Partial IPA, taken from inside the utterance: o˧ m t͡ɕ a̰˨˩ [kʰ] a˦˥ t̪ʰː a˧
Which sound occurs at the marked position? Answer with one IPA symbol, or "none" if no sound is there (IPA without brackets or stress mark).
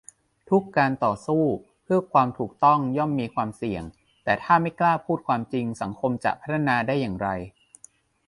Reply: pʰ